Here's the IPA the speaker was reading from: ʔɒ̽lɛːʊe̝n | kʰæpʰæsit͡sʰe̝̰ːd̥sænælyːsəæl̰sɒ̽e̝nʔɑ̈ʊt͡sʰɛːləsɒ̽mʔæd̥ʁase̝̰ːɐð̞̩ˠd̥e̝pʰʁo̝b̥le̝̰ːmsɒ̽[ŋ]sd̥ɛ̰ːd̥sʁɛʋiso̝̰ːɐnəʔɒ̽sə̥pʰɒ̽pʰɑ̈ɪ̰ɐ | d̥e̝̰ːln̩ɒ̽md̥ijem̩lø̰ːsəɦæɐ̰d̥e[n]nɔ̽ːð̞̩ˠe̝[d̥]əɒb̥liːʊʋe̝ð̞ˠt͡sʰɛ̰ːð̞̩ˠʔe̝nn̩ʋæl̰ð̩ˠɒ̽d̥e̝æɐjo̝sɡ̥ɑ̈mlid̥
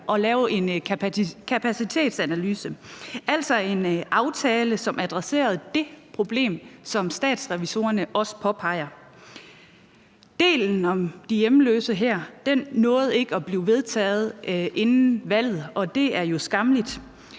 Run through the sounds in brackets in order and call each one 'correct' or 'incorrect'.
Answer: incorrect, correct, incorrect

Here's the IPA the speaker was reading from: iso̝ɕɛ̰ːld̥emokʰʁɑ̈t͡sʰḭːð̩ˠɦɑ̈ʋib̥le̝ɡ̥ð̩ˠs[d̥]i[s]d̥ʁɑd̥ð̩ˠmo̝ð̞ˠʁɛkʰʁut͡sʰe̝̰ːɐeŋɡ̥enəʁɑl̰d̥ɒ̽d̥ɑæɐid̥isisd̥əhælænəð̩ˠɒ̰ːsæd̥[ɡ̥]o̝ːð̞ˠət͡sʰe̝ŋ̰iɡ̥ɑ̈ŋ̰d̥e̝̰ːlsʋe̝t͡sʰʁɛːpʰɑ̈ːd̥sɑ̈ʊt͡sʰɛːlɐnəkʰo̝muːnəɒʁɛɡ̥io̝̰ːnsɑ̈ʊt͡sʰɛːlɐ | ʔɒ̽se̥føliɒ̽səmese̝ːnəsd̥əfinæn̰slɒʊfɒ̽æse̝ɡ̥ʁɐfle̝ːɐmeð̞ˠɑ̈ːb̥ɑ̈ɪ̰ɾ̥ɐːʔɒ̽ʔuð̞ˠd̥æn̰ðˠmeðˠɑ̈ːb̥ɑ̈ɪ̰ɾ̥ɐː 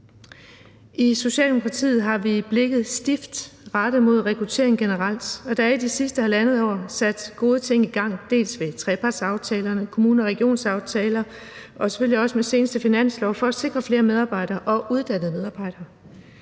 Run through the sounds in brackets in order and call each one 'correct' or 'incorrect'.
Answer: correct, incorrect, correct

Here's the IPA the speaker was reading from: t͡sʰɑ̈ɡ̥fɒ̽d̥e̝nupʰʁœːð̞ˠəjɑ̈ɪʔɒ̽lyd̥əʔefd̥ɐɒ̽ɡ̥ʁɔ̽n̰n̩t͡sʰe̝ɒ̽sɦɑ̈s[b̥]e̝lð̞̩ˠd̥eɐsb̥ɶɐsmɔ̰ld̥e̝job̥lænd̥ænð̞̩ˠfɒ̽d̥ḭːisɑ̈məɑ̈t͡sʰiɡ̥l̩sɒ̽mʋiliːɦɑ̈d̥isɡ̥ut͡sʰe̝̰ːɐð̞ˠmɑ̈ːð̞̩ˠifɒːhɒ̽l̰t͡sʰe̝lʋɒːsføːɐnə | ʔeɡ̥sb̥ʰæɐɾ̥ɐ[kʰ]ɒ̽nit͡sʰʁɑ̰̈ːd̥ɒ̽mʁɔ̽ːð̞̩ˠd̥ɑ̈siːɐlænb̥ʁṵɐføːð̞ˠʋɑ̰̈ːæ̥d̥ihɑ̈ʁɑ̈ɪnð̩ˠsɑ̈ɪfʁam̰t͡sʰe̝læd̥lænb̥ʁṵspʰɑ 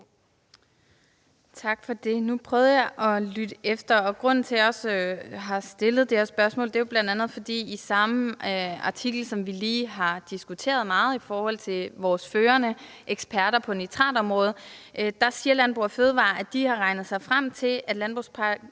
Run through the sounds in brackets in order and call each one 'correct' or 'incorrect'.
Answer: incorrect, incorrect

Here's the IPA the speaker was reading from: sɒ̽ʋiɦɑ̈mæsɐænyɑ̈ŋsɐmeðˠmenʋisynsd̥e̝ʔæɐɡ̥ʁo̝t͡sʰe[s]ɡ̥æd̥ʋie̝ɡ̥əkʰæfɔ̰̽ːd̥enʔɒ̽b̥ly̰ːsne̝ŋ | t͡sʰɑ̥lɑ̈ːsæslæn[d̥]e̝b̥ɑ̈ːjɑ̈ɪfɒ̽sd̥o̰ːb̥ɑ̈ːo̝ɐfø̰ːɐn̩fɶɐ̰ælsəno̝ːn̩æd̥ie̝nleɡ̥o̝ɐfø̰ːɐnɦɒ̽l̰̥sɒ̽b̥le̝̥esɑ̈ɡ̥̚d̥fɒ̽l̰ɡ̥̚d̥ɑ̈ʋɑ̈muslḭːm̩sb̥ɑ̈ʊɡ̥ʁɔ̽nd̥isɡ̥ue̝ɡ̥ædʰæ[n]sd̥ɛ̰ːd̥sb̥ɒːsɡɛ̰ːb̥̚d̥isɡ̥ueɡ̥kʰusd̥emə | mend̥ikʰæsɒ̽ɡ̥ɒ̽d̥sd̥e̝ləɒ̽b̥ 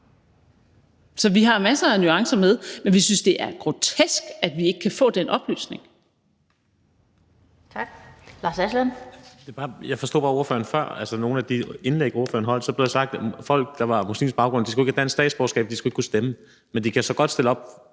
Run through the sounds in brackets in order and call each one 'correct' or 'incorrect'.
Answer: correct, correct, correct

